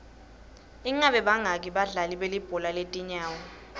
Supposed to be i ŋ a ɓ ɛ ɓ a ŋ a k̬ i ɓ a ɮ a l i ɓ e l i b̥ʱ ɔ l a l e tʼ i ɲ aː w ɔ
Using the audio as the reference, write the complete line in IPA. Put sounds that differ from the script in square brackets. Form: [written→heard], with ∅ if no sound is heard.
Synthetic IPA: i ŋ a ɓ ɛ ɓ a ŋ a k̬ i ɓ a ɮ a l i ɓ e l i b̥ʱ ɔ l a l e tʼ i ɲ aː w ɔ